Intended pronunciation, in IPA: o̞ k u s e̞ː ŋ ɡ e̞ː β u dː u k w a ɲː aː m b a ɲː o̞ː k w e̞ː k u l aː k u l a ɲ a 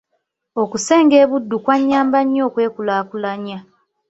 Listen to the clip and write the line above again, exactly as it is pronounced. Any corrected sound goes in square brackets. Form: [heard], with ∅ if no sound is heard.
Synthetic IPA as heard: o̞ k u s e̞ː ŋ ɡ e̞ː β u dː u k w a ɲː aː m b a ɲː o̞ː k w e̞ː k u l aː k u l a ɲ a